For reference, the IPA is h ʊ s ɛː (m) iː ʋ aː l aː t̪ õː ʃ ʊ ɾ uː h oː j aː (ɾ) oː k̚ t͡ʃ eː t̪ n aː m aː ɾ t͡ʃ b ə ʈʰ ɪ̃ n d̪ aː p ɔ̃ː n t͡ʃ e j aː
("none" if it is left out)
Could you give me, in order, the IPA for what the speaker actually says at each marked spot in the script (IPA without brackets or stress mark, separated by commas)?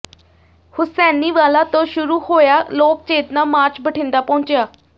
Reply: n, l